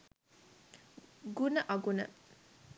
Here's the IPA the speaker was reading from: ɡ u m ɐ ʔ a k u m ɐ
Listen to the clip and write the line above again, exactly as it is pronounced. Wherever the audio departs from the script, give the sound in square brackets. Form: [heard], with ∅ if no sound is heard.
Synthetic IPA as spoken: ɡ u [n] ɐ ʔ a [ɡ] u [n] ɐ